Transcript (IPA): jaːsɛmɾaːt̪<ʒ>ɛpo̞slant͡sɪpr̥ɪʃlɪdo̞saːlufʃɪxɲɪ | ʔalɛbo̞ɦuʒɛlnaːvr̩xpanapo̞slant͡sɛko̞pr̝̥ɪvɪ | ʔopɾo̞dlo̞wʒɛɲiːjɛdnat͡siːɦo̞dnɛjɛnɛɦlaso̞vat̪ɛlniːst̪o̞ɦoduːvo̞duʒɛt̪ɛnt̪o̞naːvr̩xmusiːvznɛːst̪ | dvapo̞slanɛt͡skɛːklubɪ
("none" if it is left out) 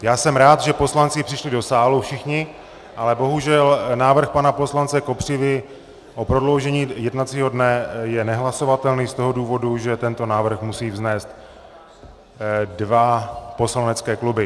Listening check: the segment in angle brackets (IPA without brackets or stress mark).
ʒ